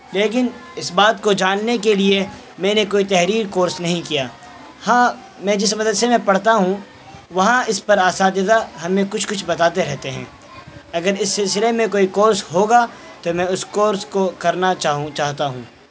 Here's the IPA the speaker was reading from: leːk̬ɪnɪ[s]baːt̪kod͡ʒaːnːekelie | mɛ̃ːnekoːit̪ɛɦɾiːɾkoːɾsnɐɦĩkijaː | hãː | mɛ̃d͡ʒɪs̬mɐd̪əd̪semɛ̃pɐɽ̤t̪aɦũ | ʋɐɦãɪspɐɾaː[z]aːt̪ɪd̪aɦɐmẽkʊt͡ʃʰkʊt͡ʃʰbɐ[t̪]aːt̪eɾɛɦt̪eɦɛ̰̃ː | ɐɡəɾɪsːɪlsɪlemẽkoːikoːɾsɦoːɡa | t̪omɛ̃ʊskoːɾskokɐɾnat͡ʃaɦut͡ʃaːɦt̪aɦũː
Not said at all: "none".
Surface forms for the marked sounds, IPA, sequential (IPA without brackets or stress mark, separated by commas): s, s, t̪